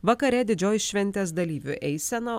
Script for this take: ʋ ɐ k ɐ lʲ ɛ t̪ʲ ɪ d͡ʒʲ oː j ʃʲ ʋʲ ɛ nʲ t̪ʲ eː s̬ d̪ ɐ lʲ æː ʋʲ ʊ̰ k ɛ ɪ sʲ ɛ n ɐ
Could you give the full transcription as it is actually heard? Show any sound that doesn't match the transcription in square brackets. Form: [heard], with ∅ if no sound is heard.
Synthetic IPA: ʋ ɐ k ɐ [ɾʲ] ɛ [d̪ʲ] ɪ d͡ʒʲ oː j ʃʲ ʋʲ ɛ nʲ t̪ʲ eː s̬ d̪ ɐ lʲ [iː] ʋʲ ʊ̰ [ʔ] ɛ ɪ sʲ ɛ n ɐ